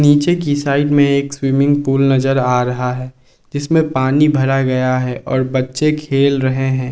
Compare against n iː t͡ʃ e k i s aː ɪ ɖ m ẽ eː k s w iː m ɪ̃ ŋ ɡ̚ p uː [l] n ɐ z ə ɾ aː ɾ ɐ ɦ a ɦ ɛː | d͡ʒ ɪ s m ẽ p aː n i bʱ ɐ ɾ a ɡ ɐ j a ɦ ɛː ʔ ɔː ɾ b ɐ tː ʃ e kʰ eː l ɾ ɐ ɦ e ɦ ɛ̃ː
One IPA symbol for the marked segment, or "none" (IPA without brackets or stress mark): l